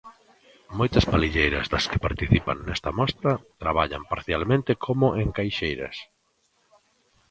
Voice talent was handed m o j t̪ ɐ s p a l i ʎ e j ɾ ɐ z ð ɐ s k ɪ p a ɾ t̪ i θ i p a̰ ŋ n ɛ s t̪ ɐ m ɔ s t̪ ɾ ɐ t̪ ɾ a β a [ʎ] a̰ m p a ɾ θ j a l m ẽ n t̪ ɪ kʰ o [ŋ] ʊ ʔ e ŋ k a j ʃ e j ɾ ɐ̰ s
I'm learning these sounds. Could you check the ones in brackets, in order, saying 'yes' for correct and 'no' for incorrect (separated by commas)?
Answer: yes, no